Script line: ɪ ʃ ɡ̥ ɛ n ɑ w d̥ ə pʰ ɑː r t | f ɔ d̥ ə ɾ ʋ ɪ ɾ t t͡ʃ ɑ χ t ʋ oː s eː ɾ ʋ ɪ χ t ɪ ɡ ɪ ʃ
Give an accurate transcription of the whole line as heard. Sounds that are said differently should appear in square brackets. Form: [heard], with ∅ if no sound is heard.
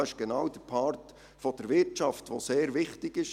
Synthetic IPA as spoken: ɪ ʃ ɡ̥ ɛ n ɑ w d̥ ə pʰ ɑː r t | f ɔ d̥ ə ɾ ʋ ɪ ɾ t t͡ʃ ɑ [f] t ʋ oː s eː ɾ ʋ ɪ χ t ɪ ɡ ɪ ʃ